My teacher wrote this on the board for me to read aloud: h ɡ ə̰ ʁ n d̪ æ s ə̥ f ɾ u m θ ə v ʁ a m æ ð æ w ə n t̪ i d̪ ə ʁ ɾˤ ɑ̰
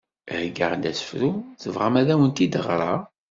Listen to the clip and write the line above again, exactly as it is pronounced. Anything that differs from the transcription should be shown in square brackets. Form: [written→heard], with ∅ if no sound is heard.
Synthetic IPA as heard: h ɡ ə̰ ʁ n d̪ æ s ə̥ f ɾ u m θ ə v ʁ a m æ ð æ w ə n t̪ i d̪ ə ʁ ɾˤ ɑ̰